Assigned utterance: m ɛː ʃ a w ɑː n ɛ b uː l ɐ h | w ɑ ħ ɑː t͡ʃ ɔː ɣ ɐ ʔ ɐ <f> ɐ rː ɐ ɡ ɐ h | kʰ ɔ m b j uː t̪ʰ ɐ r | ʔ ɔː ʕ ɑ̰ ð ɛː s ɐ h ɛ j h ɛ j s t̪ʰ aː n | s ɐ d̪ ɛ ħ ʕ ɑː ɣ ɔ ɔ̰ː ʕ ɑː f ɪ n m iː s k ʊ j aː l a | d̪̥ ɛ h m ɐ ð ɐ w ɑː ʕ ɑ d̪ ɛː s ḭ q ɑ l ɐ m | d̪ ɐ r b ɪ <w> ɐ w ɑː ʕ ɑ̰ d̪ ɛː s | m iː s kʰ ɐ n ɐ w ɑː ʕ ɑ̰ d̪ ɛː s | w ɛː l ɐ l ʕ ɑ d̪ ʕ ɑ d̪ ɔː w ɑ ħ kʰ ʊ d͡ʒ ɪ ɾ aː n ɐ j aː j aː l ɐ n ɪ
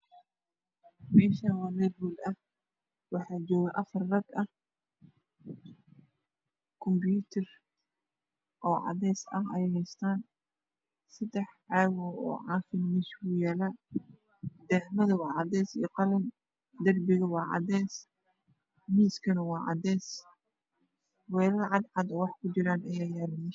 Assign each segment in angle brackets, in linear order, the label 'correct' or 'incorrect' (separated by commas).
correct, incorrect